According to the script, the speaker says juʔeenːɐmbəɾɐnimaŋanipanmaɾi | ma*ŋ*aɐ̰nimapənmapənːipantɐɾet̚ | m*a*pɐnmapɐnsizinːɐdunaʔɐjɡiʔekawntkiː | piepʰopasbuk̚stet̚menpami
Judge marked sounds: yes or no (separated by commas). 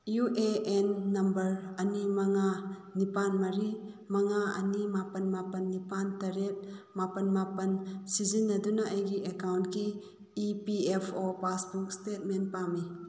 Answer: yes, yes